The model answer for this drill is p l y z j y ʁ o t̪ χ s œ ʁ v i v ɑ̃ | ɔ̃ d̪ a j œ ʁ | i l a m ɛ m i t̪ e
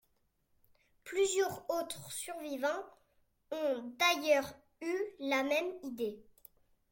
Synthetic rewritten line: p l y z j œ ʁ o t̪ χ s y ʁ v i v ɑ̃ | ɔ̃ d̪ a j œ ʁ | y l a m ɛ m i d̪ e